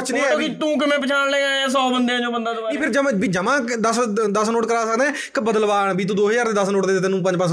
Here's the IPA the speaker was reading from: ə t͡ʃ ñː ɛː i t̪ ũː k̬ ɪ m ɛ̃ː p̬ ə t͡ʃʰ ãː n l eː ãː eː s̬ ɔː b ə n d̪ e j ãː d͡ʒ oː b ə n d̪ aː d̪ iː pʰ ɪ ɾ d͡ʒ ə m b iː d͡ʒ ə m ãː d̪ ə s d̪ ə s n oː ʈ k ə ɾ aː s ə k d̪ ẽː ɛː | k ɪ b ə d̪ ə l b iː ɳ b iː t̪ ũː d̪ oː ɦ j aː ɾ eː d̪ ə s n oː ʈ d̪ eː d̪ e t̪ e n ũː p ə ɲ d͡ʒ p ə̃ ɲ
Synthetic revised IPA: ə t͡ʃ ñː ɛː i t̪ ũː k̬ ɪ m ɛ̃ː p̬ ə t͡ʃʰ aː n l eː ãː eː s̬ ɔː b ə n d̪ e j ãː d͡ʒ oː b ə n d̪ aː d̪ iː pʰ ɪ ɾ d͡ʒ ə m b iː d͡ʒ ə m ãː d̪ ə s d̪ ə s n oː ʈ k ə ɾ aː s ə k d̪ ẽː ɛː | k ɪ b ə d̪ ə l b aː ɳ b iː t̪ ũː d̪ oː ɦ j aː ɾ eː d̪ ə s n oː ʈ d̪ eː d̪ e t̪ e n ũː p ə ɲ d͡ʒ p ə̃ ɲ